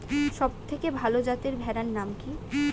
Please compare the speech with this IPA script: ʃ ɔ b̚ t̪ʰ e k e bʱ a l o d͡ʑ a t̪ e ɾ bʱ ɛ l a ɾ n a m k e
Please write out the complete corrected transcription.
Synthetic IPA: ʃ ɔ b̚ t̪ʰ e k e bʱ a l o d͡ʑ a t̪ e ɾ bʱ ɛ ɾ a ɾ n a m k i